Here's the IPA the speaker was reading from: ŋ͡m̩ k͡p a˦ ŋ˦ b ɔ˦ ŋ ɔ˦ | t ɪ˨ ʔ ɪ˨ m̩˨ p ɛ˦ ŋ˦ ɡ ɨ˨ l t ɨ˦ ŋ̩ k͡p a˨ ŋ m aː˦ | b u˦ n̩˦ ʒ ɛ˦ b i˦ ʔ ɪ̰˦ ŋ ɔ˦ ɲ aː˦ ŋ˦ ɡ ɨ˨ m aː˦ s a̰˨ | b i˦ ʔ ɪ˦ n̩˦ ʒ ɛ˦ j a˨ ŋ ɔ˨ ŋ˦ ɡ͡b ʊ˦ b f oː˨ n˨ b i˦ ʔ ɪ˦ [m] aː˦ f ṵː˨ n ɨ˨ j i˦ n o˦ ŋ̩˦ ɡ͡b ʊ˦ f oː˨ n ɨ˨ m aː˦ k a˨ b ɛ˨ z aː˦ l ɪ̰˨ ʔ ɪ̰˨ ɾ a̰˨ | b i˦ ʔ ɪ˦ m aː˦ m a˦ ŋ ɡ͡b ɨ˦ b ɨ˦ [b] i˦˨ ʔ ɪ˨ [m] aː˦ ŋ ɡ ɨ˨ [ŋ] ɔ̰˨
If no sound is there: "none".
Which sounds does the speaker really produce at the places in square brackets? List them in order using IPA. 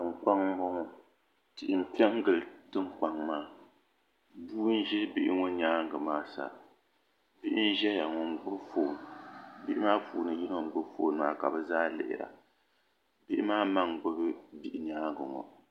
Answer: m, b, ɲ, ŋ

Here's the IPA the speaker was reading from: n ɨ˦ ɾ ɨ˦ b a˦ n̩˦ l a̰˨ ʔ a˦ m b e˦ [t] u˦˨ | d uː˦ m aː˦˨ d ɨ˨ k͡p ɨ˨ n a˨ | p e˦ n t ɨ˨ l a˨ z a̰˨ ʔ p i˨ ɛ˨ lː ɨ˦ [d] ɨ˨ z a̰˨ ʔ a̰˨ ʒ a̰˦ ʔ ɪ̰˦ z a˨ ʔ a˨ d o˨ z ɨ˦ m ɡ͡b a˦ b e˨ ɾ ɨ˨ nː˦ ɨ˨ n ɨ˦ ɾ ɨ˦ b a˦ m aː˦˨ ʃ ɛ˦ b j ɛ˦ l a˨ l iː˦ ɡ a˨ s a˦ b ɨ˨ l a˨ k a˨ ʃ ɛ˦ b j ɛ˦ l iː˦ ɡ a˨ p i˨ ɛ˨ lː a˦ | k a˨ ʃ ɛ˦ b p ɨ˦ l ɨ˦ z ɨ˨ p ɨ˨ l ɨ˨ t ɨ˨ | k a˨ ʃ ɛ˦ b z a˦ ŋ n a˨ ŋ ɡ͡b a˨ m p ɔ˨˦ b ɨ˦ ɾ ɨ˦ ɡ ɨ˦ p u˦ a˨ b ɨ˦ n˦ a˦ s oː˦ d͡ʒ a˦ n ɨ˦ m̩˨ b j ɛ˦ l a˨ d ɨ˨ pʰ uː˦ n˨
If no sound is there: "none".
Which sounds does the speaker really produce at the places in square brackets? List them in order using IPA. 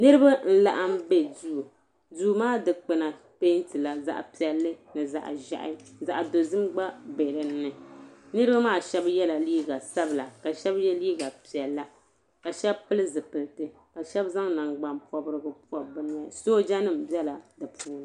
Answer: d, n

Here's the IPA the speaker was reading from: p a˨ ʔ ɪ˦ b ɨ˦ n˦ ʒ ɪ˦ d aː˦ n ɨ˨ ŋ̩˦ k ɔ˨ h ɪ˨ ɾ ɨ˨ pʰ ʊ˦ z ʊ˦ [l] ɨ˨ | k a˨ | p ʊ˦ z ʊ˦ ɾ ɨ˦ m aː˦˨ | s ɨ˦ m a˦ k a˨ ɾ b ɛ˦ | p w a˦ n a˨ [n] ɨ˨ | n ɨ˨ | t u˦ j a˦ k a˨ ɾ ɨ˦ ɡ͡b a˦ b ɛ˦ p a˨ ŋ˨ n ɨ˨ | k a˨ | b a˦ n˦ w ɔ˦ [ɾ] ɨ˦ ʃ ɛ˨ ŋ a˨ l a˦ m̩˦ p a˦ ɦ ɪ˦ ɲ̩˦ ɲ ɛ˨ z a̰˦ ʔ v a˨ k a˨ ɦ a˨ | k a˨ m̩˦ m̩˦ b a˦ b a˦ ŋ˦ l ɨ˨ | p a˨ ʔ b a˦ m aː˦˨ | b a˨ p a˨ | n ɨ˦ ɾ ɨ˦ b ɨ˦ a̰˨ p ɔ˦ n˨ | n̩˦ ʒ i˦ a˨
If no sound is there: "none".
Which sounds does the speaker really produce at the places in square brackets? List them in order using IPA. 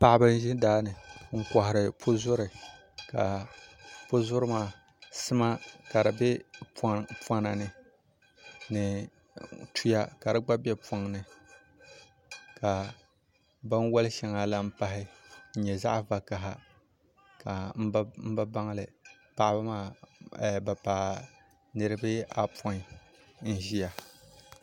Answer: ɾ, n, l

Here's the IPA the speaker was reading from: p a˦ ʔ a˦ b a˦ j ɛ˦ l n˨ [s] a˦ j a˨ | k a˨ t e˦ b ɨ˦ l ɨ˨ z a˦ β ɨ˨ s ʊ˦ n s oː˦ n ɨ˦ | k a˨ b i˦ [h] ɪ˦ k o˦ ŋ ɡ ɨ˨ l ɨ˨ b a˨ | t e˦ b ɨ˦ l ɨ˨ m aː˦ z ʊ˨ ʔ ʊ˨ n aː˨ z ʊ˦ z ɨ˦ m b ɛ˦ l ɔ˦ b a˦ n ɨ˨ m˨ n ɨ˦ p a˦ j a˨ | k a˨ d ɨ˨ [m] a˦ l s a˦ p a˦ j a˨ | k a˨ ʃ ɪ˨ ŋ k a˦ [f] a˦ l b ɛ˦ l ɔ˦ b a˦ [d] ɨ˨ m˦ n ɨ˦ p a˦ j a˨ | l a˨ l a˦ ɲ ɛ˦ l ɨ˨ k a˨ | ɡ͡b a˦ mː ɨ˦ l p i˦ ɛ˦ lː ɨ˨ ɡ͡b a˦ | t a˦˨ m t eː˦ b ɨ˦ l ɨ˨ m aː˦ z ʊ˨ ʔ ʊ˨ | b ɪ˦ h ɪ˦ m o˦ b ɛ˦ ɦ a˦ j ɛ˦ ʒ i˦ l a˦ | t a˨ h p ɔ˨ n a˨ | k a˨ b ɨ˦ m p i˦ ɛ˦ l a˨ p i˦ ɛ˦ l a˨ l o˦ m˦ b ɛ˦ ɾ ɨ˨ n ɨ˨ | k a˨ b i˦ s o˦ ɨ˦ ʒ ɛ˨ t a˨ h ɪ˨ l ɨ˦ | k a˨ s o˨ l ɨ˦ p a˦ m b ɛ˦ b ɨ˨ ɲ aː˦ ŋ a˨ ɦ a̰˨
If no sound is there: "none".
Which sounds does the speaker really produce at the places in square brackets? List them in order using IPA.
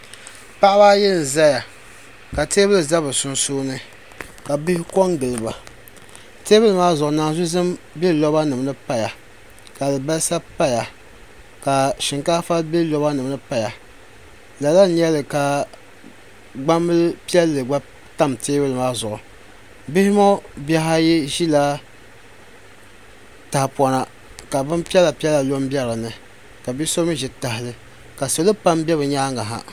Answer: z, h, b, f, n

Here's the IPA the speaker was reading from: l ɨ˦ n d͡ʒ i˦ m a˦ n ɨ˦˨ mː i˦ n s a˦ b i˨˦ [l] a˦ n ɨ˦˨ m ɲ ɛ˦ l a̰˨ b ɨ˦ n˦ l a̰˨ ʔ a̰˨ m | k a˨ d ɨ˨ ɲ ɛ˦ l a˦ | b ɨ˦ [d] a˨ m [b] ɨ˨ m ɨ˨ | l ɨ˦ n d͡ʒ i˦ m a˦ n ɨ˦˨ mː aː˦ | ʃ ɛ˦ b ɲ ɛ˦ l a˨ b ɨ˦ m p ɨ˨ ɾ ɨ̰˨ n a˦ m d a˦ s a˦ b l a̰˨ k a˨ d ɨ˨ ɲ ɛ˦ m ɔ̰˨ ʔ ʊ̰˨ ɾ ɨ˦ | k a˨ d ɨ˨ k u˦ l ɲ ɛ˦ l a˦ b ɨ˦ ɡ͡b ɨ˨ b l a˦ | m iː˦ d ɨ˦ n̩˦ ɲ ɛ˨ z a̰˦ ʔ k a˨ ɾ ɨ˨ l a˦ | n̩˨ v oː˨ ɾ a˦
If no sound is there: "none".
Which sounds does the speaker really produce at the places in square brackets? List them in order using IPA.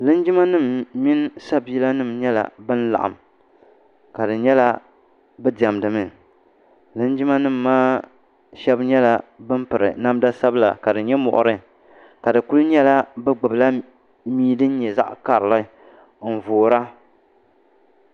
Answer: l, d, d

